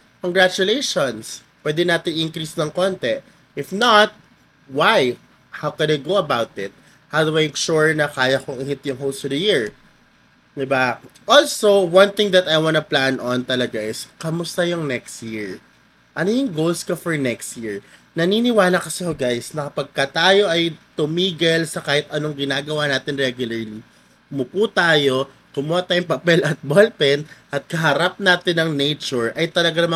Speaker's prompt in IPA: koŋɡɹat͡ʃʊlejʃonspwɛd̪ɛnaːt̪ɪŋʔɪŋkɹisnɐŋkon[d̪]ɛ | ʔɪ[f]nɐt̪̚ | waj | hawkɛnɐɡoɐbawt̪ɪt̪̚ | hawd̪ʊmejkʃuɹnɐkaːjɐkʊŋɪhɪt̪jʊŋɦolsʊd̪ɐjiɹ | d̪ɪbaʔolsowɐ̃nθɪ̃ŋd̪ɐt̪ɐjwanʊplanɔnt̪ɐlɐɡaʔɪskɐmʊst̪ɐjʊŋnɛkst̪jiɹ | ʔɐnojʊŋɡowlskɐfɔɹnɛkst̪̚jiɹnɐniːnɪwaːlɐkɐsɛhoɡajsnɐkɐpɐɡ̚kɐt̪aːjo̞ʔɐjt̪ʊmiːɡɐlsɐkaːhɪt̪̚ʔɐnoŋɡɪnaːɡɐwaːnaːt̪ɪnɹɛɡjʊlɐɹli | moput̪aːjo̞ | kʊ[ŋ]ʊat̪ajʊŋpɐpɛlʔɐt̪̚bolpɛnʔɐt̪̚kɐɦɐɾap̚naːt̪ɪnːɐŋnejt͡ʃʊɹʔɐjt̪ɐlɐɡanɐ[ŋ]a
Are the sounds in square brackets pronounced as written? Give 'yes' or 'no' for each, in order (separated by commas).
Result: no, yes, no, no